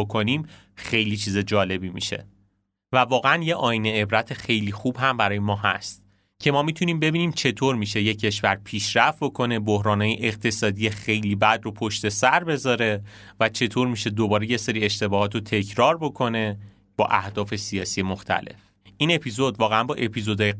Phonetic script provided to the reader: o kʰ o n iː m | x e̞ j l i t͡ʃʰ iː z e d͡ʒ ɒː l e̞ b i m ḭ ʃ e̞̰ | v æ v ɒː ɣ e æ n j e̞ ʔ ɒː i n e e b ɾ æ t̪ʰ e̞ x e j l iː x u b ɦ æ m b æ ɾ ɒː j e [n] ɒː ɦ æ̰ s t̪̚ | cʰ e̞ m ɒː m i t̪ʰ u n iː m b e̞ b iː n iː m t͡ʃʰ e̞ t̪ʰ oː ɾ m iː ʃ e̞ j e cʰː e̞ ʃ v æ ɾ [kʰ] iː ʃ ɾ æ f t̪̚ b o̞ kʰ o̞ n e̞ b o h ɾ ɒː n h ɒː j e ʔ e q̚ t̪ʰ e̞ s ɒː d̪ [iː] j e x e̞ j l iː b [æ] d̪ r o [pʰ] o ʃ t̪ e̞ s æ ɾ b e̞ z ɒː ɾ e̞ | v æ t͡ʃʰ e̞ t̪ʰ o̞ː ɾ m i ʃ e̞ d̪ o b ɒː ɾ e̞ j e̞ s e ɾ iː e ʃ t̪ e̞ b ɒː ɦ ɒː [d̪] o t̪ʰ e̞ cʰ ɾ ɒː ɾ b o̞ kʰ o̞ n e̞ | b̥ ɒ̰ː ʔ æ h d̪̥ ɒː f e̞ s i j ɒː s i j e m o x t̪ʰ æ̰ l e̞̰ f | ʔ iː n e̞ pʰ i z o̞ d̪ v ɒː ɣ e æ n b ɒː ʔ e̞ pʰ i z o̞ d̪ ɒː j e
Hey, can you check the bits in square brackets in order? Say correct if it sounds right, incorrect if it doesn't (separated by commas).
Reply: incorrect, incorrect, incorrect, correct, correct, incorrect